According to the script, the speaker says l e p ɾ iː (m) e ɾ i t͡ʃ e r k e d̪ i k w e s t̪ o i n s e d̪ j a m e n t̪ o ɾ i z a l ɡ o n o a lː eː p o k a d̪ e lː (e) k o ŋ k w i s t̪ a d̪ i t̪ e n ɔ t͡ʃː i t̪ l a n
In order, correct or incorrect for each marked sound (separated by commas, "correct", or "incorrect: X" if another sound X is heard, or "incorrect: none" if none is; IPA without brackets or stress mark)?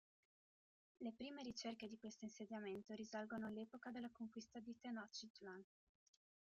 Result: correct, incorrect: a